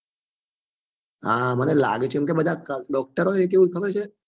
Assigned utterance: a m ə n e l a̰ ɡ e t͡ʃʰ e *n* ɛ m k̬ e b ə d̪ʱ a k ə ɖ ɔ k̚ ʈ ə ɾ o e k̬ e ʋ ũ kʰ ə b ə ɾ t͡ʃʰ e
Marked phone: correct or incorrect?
incorrect